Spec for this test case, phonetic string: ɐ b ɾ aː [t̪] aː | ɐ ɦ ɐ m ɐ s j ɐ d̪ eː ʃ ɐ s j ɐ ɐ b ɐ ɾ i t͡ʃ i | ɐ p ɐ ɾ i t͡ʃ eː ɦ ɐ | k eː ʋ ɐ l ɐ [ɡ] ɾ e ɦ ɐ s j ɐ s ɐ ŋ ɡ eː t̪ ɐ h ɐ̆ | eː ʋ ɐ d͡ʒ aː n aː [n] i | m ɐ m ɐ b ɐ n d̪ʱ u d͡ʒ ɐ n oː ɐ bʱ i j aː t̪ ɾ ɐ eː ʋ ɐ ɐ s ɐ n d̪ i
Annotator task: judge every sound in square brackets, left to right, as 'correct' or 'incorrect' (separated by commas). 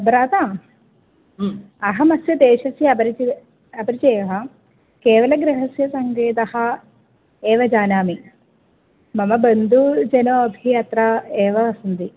correct, correct, incorrect